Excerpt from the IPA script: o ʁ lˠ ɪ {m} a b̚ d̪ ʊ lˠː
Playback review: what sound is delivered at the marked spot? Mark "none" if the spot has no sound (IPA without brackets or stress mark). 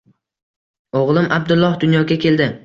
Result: m